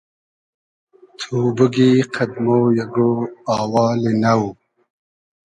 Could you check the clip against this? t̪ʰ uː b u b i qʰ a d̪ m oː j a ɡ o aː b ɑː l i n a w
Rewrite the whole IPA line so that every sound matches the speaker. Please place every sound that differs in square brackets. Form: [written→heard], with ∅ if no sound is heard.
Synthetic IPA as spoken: t̪ʰ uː b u [b→ɡ] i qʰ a d̪ m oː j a ɡ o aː [b→w] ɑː l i n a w